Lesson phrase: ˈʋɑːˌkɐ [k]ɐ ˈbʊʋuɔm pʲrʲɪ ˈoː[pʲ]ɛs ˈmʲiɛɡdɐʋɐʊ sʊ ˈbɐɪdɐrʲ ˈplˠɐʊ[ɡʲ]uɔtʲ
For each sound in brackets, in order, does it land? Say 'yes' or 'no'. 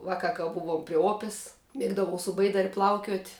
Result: yes, yes, no

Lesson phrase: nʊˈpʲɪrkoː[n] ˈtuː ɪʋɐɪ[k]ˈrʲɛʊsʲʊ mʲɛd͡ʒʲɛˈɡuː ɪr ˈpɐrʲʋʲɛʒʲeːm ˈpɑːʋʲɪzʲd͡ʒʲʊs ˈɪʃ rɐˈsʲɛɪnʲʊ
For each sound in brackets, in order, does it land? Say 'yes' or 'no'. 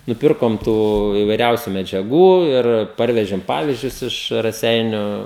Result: no, no

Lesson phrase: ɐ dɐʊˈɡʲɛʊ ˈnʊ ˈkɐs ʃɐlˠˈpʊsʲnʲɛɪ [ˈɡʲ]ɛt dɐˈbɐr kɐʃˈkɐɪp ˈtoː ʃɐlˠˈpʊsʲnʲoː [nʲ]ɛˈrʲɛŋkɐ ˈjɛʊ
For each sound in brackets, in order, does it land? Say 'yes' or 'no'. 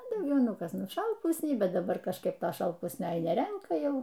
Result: no, yes

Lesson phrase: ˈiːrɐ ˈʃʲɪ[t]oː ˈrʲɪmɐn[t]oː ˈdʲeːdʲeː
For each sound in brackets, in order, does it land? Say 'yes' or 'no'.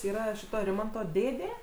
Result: yes, yes

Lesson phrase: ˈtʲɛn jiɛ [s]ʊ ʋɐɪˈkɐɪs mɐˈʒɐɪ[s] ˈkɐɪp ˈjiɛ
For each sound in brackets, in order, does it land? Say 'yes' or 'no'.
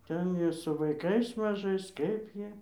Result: yes, yes

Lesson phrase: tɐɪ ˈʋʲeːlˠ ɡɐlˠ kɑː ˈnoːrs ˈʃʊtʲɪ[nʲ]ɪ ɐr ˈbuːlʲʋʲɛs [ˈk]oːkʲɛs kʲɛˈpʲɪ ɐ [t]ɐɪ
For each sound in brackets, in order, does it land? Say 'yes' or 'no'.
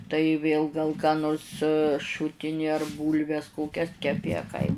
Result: yes, yes, no

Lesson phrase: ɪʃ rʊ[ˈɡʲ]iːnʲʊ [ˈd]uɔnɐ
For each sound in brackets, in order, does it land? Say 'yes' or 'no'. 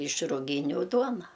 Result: yes, yes

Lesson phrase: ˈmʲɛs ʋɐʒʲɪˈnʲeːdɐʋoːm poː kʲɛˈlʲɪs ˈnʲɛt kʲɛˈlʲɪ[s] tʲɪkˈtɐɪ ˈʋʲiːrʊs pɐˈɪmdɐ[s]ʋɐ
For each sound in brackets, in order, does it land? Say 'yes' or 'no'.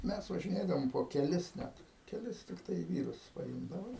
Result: yes, no

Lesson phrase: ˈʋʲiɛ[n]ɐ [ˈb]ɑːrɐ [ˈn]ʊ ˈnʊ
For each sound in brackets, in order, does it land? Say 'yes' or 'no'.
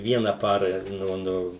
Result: yes, no, yes

